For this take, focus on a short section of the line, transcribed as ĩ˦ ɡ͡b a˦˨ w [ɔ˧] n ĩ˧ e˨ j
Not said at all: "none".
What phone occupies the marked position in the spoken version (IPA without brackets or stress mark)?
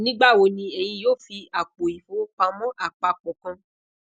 o˧